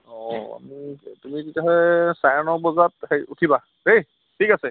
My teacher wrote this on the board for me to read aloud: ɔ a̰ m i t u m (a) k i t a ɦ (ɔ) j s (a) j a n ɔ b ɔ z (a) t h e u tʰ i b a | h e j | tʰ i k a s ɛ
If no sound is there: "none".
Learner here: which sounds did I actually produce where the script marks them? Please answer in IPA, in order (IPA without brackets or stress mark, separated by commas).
i, ɔ, a, a